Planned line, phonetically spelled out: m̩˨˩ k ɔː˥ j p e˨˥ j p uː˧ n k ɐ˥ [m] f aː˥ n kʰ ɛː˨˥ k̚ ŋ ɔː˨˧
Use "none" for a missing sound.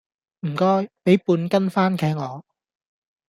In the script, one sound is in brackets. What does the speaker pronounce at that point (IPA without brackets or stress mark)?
n